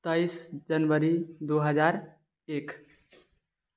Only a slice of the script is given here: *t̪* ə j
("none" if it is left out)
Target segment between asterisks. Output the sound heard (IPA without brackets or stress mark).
t̪